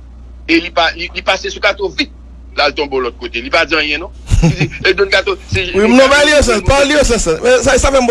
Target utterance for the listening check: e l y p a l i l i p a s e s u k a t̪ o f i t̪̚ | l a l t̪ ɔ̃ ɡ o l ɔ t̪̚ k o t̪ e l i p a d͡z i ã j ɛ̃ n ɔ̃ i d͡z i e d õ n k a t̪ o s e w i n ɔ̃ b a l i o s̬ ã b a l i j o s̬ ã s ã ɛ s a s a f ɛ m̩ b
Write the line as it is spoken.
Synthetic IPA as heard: e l i p a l i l i p a s e s u k a t̪ o v i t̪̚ | l a l t̪ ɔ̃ b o l ɔ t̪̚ k o t̪ e l i p a d͡z i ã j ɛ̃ n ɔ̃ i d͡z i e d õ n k a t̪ o s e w i n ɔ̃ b a l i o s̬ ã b a l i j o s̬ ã s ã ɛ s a s a f ɛ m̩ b

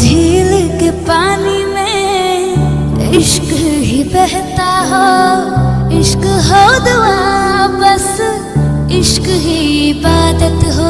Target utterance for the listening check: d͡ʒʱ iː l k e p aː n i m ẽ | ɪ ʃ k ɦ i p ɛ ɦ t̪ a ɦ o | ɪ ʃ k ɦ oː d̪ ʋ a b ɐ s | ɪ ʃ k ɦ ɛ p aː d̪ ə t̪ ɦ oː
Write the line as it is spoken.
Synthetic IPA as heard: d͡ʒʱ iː l k e p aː n i m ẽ | ɪ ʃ k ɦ i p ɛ ɦ t̪ a ɦ o | ɪ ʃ k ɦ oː d̪ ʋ a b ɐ s | ɪ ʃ k ɦ i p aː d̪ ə t̪ ɦ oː

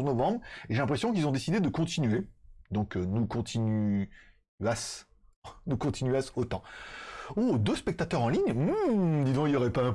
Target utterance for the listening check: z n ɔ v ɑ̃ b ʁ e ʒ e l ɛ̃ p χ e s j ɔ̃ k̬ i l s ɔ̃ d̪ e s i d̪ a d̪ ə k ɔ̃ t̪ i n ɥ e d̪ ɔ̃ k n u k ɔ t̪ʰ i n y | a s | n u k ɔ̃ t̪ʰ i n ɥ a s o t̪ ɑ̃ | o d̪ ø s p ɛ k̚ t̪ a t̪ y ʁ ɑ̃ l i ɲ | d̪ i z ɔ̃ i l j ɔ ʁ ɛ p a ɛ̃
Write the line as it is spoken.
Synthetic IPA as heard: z n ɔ v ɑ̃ b ʁ e ʒ e l ɛ̃ p χ e s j ɔ̃ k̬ i l z ɔ̃ d̪ e s i d̪ e d̪ ə k ɔ̃ t̪ i n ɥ e d̪ ɔ̃ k n u k ɔ̃ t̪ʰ i n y | a s | n u k ɔ̃ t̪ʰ i n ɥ a s o t̪ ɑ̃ | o d̪ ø s p ɛ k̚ t̪ a t̪ œ ʁ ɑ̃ l i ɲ | d̪ i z ɔ̃ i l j ɔ ʁ ɛ p a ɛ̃

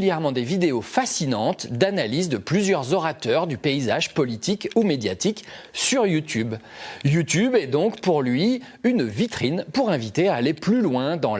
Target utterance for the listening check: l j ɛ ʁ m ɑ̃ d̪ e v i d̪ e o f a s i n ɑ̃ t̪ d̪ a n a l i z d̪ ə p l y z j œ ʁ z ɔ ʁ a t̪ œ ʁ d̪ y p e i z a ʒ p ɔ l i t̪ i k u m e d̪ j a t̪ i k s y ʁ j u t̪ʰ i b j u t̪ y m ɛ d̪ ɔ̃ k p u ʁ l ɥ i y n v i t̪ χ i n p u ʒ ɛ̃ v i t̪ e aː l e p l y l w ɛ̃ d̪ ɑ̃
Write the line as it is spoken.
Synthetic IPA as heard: l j ɛ ʁ m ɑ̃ d̪ e v i d̪ e o f a s i n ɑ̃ t̪ d̪ a n a l i z d̪ ə p l y z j œ ʁ z ɔ ʁ a t̪ œ ʁ d̪ y p e i z a ʒ p ɔ l i t̪ i k u m e d̪ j a t̪ i k s y ʁ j u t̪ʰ y b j u t̪ y b ɛ d̪ ɔ̃ k p u ʁ l ɥ i y n v i t̪ χ i n p u ʁ ɛ̃ v i t̪ e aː l e p l y l w ɛ̃ d̪ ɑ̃

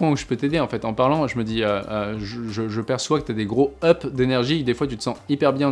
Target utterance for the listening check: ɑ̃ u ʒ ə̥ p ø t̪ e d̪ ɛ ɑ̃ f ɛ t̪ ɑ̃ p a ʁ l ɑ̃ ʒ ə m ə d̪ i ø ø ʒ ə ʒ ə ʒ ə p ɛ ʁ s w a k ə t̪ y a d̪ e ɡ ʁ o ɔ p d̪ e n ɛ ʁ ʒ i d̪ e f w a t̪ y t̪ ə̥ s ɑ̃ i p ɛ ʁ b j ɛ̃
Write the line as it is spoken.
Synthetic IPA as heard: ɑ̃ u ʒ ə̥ p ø t̪ e d̪ e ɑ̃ f ɛ t̪ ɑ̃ p a ʁ l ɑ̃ ʒ ə m ə d̪ i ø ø ʒ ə ʒ ə ʒ ə p ɛ ʁ s w a k ə t̪ y a d̪ e ɡ ʁ o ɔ p d̪ e n ɛ ʁ ʒ i d̪ e f w a t̪ y t̪ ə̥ s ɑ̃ i p ɛ ʁ b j ɛ̃

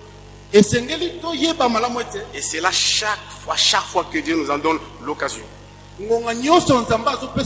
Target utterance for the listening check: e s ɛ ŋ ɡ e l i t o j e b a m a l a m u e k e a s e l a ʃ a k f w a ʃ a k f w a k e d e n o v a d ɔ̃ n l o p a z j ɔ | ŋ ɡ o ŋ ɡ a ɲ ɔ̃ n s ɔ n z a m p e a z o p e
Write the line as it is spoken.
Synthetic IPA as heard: e s ɛ ŋ ɡ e l i t o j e b a m a l a m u e t e e s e l a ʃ a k f w a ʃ a k f w a k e d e n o z a d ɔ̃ n l o k a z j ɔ | ŋ ɡ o ŋ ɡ a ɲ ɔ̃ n s ɔ n z a m b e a z o p e

